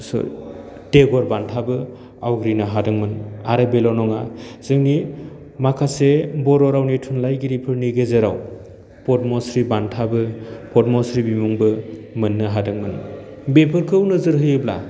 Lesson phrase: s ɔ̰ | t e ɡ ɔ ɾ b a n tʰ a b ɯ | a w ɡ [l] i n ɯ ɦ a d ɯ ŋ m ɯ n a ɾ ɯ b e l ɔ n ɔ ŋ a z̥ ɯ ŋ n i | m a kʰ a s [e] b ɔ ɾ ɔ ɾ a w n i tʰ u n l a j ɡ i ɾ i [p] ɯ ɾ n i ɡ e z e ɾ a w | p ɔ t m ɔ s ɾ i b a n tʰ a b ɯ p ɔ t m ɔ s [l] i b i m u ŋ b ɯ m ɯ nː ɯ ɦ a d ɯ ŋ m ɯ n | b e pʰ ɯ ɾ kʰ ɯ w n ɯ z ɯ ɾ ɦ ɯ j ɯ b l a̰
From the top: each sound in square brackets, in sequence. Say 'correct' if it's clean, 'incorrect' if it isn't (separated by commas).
incorrect, correct, incorrect, incorrect